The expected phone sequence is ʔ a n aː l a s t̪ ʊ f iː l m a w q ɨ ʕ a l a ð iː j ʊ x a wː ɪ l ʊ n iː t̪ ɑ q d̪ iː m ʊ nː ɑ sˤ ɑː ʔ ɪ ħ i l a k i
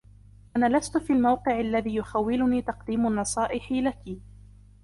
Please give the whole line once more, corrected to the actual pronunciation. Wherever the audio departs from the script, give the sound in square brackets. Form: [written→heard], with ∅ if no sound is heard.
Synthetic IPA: ʔ a n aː l a s t̪ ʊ f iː l m a w q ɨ ʕ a [l→lː] a ð iː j ʊ x a wː ɪ l ʊ n iː t̪ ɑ q d̪ iː m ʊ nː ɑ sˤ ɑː ʔ ɪ ħ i l a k i